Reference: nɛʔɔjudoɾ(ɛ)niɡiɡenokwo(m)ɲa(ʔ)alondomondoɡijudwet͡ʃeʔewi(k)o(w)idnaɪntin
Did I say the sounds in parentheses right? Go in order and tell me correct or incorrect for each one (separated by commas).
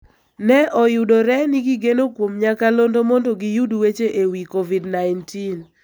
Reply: correct, correct, incorrect, correct, incorrect